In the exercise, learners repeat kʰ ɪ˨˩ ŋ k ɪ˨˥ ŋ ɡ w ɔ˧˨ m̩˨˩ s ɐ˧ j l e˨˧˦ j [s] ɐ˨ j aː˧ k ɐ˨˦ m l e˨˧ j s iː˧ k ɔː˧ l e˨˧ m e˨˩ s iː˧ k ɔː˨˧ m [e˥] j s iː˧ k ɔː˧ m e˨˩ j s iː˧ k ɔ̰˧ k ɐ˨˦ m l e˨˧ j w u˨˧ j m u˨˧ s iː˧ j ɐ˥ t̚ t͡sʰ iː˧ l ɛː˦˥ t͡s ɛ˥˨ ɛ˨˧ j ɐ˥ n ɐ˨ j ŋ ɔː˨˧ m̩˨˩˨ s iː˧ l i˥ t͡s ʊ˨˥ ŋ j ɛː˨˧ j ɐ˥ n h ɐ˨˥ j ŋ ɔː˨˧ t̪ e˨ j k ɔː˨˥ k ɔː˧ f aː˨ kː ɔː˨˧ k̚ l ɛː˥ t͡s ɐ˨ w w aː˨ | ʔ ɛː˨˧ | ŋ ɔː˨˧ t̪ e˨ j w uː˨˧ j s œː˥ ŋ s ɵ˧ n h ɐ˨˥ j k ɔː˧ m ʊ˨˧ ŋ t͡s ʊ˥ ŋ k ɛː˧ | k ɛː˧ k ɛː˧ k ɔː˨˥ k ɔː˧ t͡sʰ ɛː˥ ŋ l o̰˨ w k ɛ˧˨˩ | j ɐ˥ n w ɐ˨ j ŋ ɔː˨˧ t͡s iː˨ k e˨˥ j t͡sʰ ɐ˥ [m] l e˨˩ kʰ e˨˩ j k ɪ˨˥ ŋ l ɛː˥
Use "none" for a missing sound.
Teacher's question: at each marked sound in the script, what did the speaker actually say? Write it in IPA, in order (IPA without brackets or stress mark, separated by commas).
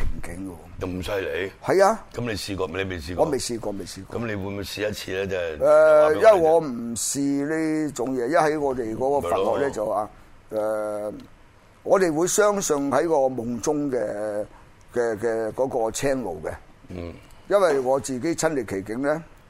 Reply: h, e˨, n